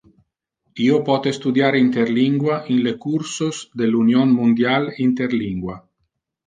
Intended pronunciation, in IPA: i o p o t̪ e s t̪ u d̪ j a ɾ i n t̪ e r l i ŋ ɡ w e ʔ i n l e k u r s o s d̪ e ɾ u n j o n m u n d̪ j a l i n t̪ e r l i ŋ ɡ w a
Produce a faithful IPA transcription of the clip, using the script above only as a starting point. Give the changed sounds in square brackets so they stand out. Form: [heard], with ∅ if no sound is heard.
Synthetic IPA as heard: i o p [ɔ] t̪ e s t̪ u d̪ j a ɾ i n t̪ e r l i ŋ ɡ w [a] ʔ i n l e k u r s o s d̪ e [l] u n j o n m u n d̪ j a l i n t̪ e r l i ŋ ɡ w a

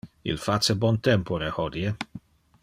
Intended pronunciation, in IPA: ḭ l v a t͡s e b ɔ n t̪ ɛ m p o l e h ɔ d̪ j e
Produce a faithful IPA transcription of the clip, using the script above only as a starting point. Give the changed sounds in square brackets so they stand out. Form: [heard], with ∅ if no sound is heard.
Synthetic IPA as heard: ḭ l [f] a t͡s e b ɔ n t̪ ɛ m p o [ɾ] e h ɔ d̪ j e

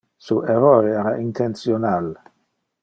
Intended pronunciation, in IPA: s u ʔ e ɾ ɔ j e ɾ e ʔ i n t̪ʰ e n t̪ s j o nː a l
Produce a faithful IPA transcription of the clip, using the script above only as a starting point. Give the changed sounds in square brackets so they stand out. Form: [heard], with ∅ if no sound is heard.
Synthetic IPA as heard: s u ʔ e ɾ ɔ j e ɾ [a] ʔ i n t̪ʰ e n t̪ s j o [n] a l

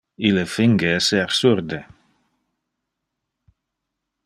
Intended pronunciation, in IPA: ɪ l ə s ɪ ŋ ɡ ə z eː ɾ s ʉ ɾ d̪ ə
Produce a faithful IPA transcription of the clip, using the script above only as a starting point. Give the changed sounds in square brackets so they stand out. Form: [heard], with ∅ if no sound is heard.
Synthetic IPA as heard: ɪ l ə [f] ɪ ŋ ɡ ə [s] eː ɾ s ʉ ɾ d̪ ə

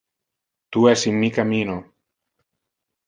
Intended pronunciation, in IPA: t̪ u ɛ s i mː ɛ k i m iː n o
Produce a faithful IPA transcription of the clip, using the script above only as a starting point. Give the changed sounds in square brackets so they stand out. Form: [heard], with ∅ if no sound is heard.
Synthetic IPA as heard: t̪ u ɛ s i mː [i] k [a] m [i] n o

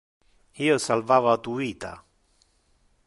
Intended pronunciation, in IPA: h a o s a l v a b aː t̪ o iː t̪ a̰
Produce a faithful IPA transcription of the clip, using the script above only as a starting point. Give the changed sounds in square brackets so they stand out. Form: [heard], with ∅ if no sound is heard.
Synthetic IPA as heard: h [i] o s a l v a [v] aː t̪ [u] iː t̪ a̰

